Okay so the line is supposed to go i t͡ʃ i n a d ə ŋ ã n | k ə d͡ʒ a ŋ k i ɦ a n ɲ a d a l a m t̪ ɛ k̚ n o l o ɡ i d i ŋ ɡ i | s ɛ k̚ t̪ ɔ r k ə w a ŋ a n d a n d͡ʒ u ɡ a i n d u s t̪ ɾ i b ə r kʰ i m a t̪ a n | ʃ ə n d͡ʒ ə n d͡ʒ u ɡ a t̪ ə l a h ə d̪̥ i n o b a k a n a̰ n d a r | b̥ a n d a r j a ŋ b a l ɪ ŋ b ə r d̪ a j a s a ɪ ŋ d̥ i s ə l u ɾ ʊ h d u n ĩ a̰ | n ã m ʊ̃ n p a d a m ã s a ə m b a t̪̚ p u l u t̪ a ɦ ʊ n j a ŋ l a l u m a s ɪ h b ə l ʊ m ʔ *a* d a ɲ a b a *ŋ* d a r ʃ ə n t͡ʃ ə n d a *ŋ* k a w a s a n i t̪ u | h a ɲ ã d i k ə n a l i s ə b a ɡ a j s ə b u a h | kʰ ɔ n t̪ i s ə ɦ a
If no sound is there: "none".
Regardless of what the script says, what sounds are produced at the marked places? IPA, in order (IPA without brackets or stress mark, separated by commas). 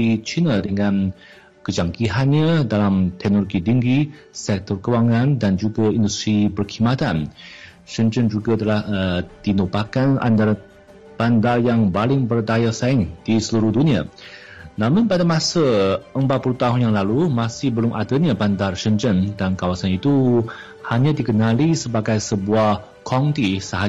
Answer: a, n, n